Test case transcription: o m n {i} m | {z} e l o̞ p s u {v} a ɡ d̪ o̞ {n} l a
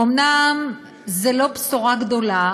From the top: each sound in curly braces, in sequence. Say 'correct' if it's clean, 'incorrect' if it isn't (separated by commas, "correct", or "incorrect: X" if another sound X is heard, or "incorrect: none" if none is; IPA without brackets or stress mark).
incorrect: a, correct, incorrect: ʁ, incorrect: none